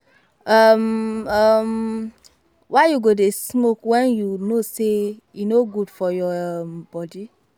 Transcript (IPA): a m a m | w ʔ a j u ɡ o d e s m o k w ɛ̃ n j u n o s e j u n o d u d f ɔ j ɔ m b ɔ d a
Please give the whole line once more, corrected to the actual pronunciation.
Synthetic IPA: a m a m | w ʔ a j u ɡ o d e s m o k w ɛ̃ n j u n o s e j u n o ɡ u d f ɔ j ɔ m b ɔ d i